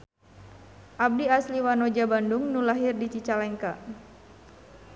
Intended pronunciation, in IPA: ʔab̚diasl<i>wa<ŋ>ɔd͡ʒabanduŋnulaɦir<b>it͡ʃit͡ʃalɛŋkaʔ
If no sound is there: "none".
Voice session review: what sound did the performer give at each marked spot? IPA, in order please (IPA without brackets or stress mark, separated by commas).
i, n, d